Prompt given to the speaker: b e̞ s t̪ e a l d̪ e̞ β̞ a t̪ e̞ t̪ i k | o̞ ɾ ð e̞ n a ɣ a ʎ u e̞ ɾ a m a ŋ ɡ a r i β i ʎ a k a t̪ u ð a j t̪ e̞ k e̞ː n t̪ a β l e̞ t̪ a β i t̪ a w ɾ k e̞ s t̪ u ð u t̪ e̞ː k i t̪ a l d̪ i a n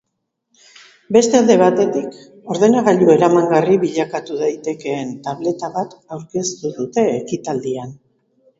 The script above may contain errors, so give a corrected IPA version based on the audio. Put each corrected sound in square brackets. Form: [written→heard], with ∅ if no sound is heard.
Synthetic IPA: b e̞ s t̪ e a l d̪ e̞ β̞ a t̪ e̞ t̪ i k | o̞ ɾ ð e̞ n a ɣ a ʎ u e̞ ɾ a m a ŋ ɡ a r i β i ʎ a k a t̪ u ð a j t̪ e̞ k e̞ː n t̪ a β l e̞ t̪ a β [i→a] t̪ a w ɾ k e̞ s t̪ u ð u t̪ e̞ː k i t̪ a l d̪ i a n